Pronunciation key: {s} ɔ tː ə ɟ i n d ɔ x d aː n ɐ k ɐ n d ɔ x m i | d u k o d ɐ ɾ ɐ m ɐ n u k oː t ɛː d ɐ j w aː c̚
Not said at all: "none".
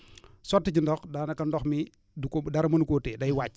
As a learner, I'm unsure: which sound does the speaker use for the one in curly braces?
s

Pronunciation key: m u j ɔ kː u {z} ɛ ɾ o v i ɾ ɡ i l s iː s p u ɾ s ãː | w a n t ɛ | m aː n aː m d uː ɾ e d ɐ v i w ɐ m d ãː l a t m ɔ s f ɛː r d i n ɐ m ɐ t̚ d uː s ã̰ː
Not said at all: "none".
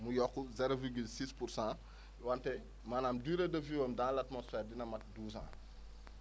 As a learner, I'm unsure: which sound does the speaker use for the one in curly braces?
z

